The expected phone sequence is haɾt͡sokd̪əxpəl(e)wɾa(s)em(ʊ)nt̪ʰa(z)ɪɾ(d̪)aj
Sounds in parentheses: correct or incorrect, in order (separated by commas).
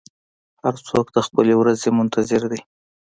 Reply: correct, incorrect, correct, correct, correct